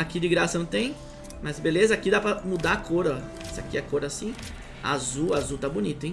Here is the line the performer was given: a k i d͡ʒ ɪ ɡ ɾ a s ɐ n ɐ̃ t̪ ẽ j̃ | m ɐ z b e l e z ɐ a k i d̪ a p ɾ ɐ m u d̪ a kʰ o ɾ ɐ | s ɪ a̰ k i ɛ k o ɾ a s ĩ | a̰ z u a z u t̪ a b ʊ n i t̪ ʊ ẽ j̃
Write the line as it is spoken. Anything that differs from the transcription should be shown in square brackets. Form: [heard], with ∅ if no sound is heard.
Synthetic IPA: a k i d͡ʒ ɪ ɡ ɾ a s ɐ n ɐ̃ t̪ ẽ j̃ | m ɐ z b e l e z ɐ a k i d̪ a p ɾ ɐ m u d̪ a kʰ o ɾ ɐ | s ɪ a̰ k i ɛ k o ɾ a s ĩ | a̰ z u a z u t̪ a b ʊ n i t̪ ʊ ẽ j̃